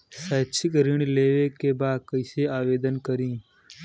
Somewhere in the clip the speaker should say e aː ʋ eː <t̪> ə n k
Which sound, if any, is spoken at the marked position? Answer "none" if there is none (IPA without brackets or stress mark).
d̪